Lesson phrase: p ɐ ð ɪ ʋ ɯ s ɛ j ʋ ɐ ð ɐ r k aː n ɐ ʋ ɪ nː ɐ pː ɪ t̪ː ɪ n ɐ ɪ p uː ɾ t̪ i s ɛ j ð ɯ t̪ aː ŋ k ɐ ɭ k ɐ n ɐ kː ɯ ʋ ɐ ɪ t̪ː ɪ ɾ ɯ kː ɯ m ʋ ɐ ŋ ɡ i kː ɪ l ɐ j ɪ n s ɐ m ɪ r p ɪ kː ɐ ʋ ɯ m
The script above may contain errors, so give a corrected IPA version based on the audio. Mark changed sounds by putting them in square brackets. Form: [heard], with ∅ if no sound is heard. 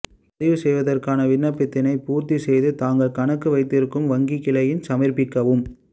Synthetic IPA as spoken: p ɐ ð ɪ ʋ ɯ s ɛ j ʋ ɐ ð ɐ r k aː n ɐ ʋ ɪ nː ɐ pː ɪ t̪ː ɪ n ɐ ɪ p uː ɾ t̪ i s ɛ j ð ɯ t̪ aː ŋ [ɡ] ɐ ɭ k ɐ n ɐ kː ɯ ʋ ɐ ɪ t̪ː ɪ ɾ ɯ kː ɯ m ʋ ɐ ŋ ɡ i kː ɪ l ɐ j ɪ n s ɐ m ɪ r p ɪ kː ɐ ʋ ɯ m